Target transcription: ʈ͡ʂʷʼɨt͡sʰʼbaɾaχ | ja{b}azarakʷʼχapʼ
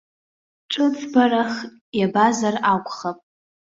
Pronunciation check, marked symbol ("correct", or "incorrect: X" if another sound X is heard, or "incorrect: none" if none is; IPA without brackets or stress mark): correct